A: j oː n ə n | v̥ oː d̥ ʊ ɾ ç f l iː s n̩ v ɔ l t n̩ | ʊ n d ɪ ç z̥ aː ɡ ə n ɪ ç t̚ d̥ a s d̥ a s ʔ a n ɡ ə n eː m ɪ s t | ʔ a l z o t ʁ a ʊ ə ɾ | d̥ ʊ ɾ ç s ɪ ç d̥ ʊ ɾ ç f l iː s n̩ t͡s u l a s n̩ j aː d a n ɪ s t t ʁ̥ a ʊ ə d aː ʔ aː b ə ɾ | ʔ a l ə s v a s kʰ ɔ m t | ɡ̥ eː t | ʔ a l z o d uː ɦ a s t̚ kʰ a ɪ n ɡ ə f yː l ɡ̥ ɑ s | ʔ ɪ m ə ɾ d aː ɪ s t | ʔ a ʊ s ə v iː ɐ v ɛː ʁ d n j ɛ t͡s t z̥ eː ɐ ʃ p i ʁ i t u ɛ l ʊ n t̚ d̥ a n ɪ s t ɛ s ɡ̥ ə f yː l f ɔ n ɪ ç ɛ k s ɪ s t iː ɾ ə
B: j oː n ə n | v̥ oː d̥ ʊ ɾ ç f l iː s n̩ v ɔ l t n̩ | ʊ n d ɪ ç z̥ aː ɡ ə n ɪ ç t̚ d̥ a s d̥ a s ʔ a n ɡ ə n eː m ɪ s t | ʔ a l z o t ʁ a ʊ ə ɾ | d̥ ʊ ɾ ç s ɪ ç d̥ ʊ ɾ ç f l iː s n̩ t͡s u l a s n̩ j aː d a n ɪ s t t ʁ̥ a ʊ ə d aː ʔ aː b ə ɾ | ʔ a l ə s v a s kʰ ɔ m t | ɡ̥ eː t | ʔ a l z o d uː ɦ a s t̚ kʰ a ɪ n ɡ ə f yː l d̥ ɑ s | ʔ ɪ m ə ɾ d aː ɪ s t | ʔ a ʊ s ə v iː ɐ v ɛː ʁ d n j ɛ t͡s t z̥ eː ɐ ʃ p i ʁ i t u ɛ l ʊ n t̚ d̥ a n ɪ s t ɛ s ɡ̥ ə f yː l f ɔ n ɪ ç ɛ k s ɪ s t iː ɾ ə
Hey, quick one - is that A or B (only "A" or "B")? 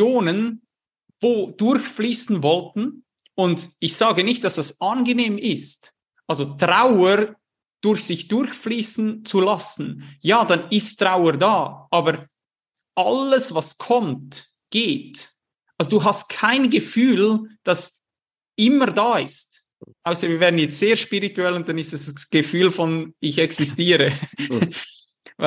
B